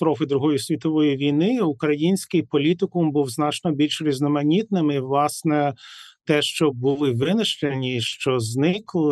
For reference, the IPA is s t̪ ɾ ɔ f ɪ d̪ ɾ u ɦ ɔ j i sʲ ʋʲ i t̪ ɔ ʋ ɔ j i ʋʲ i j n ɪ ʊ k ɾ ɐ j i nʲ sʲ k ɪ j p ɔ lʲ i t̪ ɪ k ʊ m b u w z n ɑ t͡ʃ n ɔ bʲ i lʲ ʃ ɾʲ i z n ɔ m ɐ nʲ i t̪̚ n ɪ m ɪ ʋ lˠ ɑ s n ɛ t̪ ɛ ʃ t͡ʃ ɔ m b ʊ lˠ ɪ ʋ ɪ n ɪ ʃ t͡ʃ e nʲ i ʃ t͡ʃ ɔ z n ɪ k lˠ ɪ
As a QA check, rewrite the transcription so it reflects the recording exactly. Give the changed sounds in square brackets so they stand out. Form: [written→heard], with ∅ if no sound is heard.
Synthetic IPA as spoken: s t̪ ɾ ɔ f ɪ d̪ ɾ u ɦ ɔ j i sʲ ʋʲ i t̪ ɔ ʋ ɔ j i ʋʲ i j n ɪ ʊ k ɾ ɐ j i nʲ sʲ k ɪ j p ɔ lʲ i t̪ ɪ k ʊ m b u w z n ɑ t͡ʃ n ɔ bʲ i lʲ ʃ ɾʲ i z n ɔ m ɐ nʲ i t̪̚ n ɪ m ɪ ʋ lˠ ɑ s n ɛ t̪ ɛ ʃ t͡ʃ ɔ [m→∅] b ʊ lˠ ɪ ʋ ɪ n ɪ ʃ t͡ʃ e nʲ i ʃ t͡ʃ ɔ z n ɪ k lˠ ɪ